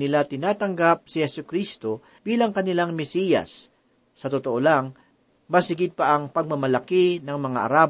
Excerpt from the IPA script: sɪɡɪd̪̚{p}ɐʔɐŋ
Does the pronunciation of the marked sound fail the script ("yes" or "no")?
no